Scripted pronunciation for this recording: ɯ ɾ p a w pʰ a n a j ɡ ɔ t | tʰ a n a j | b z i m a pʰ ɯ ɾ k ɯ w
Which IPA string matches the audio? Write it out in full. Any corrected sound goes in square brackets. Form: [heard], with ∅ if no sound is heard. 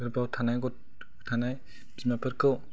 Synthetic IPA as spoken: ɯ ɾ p a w [tʰ] a n a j ɡ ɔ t | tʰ a n a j | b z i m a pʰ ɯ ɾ k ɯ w